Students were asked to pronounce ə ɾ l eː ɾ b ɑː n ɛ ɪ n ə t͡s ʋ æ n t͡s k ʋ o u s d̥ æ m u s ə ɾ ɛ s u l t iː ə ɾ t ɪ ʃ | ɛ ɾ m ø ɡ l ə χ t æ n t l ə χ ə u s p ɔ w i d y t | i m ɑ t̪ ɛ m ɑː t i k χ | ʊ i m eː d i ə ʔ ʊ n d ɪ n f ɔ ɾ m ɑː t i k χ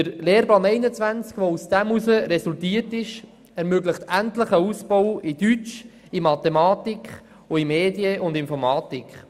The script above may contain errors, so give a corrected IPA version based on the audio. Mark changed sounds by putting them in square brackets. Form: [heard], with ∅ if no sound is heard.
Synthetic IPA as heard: ə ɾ l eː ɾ b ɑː n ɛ ɪ n ə t͡s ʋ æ n t͡s k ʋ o u s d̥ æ m u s ə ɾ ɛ s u l t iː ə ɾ t ɪ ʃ | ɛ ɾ m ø ɡ l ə χ t æ n t l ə χ ə u s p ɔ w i d y [t͡ʃ] | i m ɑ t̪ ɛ m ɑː t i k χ | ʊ i m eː d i ə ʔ ʊ n d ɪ n f ɔ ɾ m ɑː t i k χ